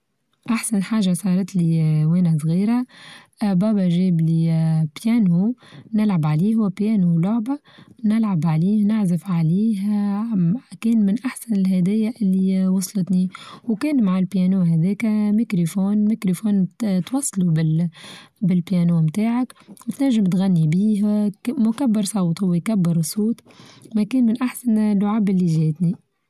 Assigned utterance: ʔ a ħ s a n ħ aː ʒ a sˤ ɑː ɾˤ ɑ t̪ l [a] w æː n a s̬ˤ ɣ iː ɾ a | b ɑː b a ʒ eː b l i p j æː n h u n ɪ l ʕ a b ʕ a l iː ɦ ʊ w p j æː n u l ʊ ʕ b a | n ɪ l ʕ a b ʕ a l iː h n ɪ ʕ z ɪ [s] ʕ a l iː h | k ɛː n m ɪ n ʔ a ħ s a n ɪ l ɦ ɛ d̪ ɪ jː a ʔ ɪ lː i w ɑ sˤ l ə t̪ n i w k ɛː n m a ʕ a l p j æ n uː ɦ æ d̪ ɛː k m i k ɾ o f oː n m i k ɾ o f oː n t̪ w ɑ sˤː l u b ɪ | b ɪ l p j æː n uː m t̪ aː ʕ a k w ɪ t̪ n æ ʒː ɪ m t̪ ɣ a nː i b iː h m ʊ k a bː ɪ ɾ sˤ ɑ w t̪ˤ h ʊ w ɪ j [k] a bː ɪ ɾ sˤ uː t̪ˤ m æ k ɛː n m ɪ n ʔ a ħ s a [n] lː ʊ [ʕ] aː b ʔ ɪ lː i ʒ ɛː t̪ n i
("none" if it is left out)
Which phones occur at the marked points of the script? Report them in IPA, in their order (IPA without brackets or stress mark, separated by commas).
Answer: i, f, k, n, ʕ